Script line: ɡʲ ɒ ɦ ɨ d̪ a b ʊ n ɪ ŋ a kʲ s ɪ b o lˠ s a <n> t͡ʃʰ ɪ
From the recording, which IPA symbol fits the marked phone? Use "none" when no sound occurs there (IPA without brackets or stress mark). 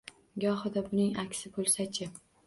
none